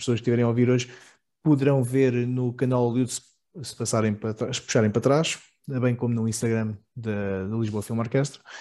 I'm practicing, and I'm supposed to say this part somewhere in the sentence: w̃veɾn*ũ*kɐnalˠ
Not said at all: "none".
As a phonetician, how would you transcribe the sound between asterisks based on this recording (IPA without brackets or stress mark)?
u